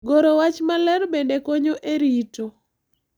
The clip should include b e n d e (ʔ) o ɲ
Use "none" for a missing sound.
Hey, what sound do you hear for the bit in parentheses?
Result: k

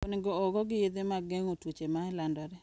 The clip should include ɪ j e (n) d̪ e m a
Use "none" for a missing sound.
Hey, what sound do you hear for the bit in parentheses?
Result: none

